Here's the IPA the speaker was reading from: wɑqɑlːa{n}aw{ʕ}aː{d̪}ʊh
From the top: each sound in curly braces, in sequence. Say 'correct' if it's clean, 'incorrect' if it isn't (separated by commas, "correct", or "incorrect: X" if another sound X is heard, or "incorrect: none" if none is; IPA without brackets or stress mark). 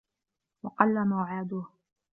incorrect: m, correct, correct